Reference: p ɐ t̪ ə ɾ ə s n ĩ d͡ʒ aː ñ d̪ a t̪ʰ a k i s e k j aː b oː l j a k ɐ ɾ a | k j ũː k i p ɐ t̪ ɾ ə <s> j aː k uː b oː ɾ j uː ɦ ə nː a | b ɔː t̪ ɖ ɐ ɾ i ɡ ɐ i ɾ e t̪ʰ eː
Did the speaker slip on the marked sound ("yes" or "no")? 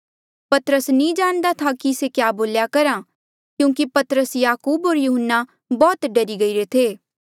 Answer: no